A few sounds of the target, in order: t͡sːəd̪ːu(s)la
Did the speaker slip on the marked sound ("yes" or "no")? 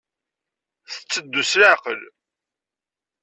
no